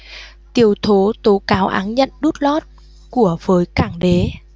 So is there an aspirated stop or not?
yes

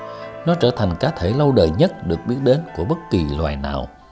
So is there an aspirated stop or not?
yes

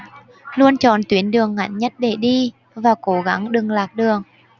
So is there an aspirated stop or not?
no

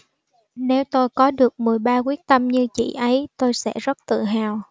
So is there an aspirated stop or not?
no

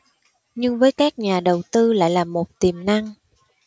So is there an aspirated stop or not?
no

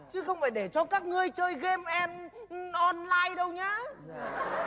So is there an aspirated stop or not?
no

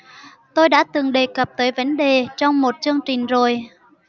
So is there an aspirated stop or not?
no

